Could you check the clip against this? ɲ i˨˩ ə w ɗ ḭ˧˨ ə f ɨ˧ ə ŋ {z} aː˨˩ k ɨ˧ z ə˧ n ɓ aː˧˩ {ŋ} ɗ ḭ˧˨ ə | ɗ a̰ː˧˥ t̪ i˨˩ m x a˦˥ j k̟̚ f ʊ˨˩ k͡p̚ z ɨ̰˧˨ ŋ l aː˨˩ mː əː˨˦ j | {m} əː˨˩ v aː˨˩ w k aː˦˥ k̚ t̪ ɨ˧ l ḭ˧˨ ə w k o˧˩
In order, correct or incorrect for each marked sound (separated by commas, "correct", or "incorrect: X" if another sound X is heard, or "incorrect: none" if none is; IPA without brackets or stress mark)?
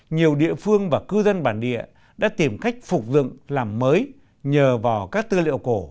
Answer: incorrect: v, incorrect: n, incorrect: ɲ